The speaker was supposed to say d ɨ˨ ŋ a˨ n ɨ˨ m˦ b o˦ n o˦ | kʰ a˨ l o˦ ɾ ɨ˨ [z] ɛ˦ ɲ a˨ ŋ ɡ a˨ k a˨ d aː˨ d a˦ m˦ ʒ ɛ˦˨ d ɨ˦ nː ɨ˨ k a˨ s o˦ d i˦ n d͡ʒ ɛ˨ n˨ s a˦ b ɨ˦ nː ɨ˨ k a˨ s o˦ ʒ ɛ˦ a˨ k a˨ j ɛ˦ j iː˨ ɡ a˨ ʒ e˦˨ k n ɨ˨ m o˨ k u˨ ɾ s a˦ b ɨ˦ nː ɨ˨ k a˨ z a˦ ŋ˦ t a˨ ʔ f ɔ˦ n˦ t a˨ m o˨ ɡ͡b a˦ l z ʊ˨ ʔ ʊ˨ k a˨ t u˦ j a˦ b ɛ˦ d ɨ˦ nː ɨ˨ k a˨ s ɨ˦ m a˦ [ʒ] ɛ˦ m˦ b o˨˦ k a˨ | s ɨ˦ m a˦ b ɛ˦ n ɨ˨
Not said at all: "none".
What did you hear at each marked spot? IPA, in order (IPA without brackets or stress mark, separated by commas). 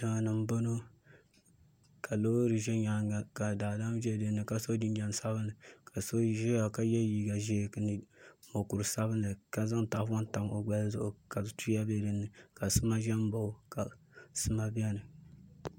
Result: ʒ, ʒ